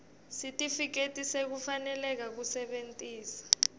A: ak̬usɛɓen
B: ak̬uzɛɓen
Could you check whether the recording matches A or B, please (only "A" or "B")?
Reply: A